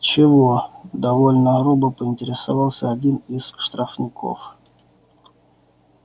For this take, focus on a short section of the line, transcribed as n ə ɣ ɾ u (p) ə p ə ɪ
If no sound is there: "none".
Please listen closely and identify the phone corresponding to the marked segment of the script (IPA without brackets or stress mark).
b